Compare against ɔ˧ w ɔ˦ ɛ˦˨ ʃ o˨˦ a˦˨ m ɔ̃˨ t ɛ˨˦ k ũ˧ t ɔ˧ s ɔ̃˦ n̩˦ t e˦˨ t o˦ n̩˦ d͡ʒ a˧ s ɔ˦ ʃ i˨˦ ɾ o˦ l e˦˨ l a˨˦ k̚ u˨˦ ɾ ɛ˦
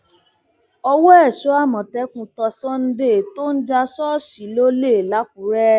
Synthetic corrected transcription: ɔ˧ w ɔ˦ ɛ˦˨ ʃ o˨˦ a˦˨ m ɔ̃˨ t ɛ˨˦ k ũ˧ t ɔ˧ s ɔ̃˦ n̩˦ d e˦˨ t o˦ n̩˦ d͡ʒ a˧ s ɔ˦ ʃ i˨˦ l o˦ l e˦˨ l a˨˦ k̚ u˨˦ ɾ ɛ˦